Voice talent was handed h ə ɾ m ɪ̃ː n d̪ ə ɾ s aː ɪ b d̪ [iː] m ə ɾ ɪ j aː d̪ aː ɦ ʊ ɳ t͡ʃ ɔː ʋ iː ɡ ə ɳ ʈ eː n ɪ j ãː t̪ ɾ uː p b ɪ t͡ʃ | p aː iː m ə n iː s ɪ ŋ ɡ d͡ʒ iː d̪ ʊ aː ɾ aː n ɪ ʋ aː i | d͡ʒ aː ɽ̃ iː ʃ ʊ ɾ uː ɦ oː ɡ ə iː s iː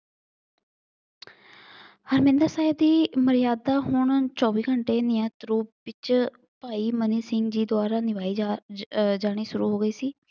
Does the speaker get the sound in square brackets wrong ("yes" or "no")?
no